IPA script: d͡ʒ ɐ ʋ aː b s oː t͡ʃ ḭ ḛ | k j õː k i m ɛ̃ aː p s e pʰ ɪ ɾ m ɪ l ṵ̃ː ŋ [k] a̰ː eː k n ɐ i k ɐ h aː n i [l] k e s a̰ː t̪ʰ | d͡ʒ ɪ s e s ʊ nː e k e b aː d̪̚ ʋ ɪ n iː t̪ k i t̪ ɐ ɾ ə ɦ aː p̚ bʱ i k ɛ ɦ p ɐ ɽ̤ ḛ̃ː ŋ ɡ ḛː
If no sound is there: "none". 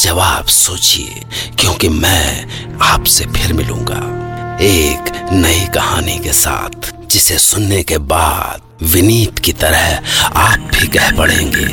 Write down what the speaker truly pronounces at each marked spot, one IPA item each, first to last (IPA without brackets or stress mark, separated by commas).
ɡ, none